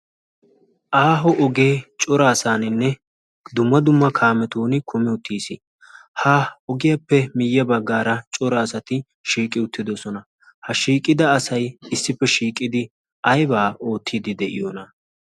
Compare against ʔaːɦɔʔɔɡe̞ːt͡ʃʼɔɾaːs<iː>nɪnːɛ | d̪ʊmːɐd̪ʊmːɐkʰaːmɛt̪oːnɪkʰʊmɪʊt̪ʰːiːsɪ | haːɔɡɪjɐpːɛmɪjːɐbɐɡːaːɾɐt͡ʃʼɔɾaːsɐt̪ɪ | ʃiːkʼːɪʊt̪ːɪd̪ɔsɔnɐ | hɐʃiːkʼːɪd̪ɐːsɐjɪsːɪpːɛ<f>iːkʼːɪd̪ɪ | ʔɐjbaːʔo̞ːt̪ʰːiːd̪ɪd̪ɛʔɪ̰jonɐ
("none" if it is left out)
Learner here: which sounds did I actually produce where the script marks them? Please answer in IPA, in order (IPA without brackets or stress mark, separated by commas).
aː, ʃ